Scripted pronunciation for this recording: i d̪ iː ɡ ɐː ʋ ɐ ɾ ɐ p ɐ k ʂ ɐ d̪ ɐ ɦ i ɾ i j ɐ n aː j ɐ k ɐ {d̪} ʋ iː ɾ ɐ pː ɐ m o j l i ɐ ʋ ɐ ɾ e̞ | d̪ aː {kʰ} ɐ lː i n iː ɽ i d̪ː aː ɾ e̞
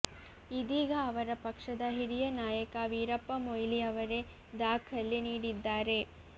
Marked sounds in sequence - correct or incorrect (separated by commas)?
incorrect, correct